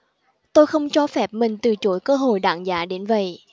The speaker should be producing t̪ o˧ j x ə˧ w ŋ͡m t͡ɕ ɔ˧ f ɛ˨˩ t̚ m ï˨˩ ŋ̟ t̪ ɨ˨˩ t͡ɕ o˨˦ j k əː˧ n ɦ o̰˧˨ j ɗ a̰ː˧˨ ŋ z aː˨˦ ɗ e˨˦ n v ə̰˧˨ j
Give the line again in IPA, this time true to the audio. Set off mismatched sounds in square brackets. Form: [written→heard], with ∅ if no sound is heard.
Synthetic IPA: t̪ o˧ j x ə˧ w ŋ͡m t͡ɕ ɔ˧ f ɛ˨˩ [t̚→p̚] m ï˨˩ ŋ̟ t̪ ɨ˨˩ t͡ɕ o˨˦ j k əː˧ [n→∅] ɦ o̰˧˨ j ɗ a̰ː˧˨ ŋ z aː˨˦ ɗ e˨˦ n v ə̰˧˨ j